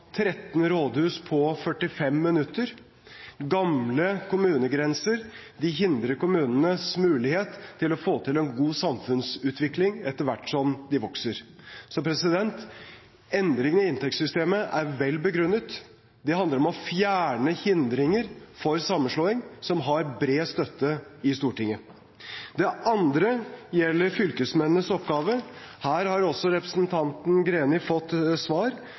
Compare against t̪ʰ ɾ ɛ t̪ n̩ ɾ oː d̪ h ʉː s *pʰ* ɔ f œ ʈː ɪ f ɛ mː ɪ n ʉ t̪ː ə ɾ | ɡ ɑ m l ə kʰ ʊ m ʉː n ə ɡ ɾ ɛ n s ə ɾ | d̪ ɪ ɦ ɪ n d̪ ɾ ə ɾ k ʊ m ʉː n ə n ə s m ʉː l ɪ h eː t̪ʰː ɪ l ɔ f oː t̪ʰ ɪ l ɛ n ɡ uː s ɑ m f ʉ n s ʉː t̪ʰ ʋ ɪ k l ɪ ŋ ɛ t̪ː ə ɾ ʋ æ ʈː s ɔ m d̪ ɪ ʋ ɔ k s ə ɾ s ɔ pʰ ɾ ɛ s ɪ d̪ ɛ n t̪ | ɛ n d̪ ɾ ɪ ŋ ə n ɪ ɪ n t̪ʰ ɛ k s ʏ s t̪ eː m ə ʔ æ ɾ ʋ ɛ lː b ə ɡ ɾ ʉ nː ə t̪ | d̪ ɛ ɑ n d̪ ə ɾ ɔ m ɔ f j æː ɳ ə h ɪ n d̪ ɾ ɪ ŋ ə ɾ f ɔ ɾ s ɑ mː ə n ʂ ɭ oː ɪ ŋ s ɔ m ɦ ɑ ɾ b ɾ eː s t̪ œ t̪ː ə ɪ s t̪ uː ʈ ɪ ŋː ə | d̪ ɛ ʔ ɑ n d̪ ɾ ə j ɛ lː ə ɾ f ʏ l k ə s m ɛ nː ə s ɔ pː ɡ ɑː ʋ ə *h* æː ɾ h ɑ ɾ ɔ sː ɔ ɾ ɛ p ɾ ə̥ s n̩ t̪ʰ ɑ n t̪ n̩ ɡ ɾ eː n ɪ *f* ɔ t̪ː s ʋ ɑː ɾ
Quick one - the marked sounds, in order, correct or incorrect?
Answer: correct, correct, correct

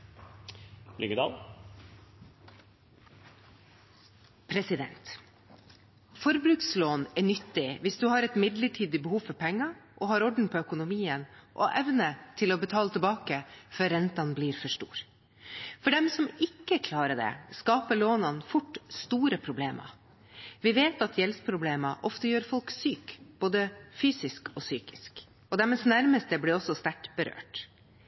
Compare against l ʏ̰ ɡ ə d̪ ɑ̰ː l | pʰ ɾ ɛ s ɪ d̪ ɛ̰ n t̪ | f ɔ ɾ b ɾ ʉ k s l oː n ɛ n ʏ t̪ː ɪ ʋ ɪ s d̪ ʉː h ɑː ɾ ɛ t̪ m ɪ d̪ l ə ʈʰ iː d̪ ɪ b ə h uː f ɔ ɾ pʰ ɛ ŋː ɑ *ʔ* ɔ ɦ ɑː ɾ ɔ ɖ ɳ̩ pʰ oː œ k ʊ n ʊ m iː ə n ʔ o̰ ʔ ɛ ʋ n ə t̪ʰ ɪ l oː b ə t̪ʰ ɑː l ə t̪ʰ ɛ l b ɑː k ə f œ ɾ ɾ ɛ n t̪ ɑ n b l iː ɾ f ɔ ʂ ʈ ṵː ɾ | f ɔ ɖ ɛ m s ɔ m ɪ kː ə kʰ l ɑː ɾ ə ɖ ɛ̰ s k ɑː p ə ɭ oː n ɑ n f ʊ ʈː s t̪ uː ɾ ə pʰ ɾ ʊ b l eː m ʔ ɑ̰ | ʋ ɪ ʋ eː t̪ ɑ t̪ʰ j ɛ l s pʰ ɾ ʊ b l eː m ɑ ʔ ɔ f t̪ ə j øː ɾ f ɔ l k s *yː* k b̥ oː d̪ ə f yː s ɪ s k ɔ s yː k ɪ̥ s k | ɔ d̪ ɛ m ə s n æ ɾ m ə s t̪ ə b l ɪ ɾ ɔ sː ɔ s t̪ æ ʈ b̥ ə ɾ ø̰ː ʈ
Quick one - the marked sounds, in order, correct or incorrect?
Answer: correct, correct

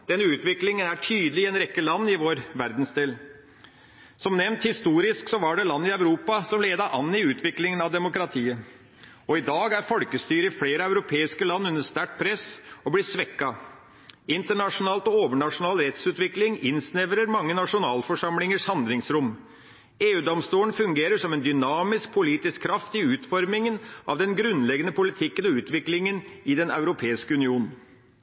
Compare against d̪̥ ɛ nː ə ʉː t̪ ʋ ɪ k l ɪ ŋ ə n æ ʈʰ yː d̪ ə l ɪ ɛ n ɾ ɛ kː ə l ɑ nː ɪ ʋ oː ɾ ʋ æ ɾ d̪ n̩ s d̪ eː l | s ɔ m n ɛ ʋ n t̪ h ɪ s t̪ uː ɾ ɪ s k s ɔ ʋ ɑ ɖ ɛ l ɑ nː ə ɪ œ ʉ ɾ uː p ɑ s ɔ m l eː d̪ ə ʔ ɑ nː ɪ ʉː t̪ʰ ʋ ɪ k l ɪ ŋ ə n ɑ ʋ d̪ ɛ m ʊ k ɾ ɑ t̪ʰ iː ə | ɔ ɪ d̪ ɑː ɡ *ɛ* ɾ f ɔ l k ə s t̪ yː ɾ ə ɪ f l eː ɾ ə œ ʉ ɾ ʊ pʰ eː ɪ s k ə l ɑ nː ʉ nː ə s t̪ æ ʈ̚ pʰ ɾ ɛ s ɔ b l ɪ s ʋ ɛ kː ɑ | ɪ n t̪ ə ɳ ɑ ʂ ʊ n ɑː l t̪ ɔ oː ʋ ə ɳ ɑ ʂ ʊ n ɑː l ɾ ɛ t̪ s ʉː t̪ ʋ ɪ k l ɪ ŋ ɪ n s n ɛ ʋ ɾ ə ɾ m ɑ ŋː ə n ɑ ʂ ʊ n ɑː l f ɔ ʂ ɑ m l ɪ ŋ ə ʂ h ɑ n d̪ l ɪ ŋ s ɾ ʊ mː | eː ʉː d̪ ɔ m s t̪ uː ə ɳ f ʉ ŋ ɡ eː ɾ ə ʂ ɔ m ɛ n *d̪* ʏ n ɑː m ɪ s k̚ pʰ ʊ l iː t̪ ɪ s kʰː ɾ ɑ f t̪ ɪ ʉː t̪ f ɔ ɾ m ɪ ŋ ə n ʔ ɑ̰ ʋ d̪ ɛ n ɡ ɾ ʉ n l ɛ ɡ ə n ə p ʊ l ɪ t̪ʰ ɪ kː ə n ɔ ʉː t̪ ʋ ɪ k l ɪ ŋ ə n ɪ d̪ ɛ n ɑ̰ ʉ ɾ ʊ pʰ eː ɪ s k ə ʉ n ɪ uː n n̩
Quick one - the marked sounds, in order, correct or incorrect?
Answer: incorrect, correct

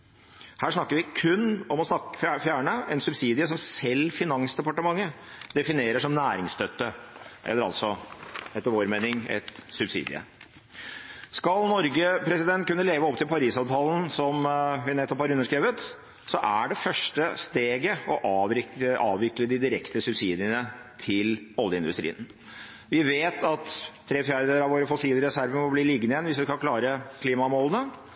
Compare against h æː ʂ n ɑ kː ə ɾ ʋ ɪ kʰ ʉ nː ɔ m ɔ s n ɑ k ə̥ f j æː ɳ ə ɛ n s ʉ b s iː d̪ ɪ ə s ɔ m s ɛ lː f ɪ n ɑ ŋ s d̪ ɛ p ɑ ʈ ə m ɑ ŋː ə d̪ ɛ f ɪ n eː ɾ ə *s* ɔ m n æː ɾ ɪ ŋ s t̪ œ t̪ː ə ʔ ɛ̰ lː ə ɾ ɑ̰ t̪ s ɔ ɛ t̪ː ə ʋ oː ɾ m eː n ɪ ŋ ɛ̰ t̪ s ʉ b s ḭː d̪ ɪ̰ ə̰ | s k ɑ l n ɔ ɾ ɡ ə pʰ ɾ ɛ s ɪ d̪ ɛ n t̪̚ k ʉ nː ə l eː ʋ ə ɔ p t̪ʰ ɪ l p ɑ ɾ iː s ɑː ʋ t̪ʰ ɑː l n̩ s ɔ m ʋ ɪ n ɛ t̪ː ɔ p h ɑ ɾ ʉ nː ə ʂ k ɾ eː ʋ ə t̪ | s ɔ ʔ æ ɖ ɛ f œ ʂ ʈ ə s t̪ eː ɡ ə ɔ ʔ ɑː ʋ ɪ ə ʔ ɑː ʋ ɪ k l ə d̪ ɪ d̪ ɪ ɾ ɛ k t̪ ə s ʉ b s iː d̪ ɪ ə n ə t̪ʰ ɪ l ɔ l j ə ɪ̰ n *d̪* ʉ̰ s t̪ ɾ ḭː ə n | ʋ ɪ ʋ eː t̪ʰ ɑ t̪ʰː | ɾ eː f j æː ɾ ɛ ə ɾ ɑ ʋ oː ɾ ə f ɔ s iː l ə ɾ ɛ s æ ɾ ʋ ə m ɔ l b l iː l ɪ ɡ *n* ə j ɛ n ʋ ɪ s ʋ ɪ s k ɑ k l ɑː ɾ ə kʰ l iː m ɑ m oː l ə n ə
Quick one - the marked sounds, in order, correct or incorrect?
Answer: incorrect, correct, correct

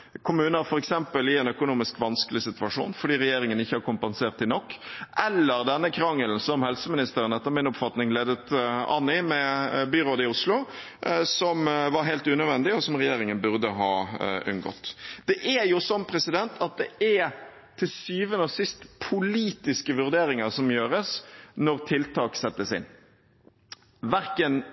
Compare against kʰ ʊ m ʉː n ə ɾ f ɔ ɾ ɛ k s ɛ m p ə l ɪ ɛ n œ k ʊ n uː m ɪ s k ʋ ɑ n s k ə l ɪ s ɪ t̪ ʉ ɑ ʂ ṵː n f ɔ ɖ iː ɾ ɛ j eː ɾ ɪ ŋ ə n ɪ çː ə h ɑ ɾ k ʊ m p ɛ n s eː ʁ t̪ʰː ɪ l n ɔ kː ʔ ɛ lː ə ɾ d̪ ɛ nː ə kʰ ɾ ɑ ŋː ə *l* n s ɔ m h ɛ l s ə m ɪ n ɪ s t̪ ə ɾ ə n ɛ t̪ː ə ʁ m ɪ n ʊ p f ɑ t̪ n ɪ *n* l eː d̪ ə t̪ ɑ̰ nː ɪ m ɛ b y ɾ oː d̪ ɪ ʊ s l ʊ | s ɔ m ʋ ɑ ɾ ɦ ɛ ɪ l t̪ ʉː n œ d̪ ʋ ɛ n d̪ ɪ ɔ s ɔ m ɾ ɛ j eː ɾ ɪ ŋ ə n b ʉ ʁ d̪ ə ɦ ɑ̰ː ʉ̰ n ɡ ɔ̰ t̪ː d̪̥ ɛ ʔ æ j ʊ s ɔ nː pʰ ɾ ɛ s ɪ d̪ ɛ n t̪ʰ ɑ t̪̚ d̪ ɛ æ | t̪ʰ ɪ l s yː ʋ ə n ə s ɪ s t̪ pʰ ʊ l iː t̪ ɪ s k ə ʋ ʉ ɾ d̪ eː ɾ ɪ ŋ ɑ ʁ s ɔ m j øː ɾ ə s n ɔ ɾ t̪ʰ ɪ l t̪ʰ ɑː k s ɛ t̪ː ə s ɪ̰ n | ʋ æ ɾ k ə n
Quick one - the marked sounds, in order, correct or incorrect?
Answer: correct, incorrect

